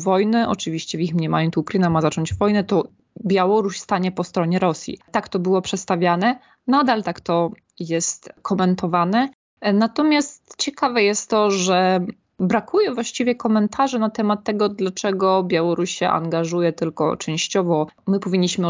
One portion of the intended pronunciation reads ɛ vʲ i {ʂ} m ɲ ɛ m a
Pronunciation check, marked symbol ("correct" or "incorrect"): incorrect